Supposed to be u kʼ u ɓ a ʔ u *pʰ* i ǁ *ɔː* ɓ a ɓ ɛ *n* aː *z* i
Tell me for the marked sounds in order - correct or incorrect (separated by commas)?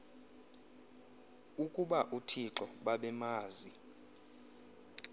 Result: incorrect, incorrect, incorrect, correct